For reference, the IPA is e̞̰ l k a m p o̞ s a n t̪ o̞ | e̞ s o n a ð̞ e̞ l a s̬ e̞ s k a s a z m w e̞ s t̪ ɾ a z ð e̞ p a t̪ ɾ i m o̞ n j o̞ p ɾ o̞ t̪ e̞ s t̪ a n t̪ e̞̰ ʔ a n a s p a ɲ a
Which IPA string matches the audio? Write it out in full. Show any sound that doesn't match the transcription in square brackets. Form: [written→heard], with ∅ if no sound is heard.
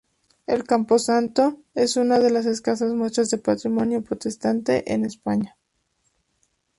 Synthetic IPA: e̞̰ l k a m p o̞ s a n t̪ o̞ | e̞ s [o→u] n a ð̞ e̞ l a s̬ e̞ s k a s a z m w e̞ s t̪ ɾ a z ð e̞ p a t̪ ɾ i m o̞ n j o̞ p ɾ o̞ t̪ e̞ s t̪ a n t̪ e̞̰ ʔ [a→e] n [a→e] s p a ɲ a